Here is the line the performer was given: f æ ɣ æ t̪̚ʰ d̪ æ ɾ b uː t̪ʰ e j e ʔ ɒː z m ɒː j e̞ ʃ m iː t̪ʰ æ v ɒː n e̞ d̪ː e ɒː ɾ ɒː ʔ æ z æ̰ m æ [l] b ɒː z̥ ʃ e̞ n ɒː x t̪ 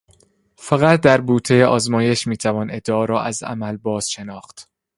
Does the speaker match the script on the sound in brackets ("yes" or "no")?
yes